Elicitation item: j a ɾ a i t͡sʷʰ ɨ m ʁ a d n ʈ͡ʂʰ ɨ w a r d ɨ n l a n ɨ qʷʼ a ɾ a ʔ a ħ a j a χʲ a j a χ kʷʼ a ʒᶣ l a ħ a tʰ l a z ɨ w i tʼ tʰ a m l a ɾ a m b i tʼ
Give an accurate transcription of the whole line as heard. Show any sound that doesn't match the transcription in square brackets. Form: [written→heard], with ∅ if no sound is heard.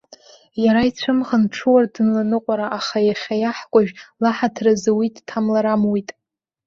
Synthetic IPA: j a ɾ a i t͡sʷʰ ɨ m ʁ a [d→∅] n ʈ͡ʂʰ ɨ w a r d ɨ n l a n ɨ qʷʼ a ɾ a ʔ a [ħ→χ] a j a χʲ a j a [χ→ħ] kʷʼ a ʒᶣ l a ħ a tʰ [l→r] a z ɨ w i tʼ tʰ a m l a ɾ a m [b→w] i tʼ